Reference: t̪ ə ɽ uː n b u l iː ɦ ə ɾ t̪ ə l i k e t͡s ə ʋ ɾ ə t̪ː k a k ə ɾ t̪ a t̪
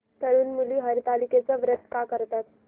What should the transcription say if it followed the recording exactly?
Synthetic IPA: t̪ ə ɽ uː n m u l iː ɦ ə ɾ t̪ a l i k e t͡s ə ʋ ɾ ə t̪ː k a k ə ɾ t̪ a t̪